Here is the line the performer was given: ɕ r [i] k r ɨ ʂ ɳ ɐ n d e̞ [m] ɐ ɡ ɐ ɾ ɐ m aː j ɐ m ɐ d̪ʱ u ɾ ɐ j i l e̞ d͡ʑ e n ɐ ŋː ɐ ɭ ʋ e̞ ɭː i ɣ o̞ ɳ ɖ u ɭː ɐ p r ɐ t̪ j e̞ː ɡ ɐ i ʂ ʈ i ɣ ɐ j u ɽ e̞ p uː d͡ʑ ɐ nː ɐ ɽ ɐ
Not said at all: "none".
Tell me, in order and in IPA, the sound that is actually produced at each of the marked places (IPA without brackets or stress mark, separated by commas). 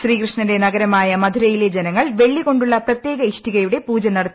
iː, n